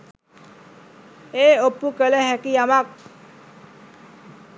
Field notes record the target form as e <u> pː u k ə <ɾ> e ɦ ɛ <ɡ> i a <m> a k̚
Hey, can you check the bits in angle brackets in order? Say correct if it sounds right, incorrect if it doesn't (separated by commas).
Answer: incorrect, incorrect, incorrect, correct